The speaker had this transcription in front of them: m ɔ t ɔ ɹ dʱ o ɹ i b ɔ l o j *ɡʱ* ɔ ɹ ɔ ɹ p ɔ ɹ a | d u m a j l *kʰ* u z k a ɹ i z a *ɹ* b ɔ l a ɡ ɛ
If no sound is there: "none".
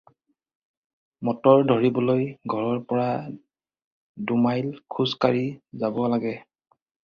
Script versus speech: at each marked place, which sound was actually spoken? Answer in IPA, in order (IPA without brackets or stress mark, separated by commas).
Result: ɡʱ, kʰ, none